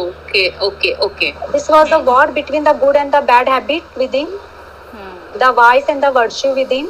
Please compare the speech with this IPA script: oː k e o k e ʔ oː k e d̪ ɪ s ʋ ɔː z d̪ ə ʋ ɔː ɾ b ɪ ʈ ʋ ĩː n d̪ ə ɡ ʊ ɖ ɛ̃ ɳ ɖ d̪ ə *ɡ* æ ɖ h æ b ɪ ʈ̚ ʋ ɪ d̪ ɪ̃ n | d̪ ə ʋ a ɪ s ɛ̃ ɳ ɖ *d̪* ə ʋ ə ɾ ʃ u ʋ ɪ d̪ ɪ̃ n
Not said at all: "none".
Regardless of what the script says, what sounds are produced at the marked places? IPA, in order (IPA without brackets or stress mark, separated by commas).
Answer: b, d̪